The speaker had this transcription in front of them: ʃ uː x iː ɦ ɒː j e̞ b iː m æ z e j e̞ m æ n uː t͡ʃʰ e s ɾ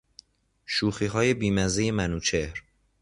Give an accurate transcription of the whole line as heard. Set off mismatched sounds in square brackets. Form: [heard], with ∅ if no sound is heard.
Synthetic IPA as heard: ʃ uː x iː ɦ ɒː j e̞ b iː m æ z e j e̞ m æ n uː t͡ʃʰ e [h] ɾ